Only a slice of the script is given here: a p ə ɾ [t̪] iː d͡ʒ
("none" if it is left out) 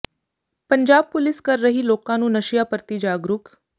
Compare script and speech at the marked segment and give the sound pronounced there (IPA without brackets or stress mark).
t̪